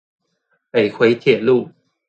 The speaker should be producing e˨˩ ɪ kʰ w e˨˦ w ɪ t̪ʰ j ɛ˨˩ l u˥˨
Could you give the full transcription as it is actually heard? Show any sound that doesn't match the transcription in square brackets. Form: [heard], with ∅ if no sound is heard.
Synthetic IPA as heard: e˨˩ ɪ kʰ w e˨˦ [∅] ɪ t̪ʰ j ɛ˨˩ l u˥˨